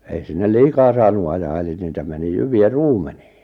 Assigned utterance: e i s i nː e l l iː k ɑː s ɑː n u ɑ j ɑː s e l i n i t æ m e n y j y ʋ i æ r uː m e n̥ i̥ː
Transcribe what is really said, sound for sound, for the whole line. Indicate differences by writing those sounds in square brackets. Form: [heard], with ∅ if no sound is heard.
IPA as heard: e i s i nː e l l iː k ɑː s ɑː n u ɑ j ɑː [∅] e l i n [iː] t æ m e n [i] j y ʋ i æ r uː m e n̥ i̥ː